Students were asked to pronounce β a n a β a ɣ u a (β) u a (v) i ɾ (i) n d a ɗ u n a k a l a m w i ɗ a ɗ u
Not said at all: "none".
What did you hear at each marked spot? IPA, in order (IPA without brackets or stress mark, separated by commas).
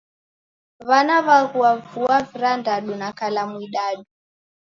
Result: v, v, a